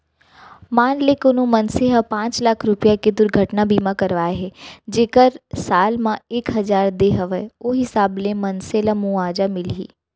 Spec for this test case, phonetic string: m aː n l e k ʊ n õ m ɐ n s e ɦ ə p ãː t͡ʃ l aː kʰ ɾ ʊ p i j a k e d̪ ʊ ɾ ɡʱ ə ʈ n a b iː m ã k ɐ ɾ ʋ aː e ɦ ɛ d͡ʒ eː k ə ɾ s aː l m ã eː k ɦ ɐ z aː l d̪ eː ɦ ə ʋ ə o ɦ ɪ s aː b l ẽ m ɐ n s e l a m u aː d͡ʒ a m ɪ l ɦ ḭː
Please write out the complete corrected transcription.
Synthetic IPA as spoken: m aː n l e k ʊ n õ m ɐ n s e ɦ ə p ãː t͡ʃ l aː kʰ ɾ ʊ p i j a k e d̪ ʊ ɾ ɡʱ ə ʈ n a b iː m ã k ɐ ɾ ʋ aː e ɦ ɛ d͡ʒ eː k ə ɾ s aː l m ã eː k ɦ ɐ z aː ɾ d̪ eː ɦ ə ʋ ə o ɦ ɪ s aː b l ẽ m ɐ n s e l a m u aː d͡ʒ a m ɪ l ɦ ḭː